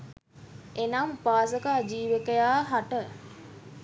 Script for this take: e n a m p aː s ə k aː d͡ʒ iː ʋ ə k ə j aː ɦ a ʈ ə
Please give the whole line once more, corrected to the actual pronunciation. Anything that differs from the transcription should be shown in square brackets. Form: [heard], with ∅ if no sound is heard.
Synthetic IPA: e n a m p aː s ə k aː d͡ʒ iː ʋ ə k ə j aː ɦ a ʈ ə